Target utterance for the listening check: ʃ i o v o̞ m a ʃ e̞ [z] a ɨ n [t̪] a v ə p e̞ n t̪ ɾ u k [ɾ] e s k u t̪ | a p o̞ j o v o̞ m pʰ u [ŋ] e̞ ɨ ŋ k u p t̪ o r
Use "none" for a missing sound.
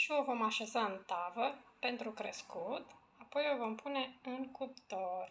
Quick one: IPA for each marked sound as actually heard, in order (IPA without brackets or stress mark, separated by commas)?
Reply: z, t̪, ɾ, n